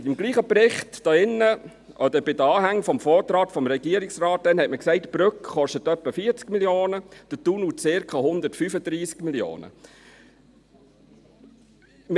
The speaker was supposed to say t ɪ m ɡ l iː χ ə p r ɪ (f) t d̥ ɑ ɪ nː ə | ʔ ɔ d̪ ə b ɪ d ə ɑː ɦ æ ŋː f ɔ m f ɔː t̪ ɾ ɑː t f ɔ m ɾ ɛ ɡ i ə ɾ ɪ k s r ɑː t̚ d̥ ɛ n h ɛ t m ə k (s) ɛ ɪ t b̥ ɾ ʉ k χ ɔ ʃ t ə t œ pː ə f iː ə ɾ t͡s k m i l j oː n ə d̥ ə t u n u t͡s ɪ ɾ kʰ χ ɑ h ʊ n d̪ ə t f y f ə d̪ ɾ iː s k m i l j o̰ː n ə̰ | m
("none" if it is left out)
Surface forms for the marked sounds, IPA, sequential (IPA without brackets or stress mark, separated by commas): χ, s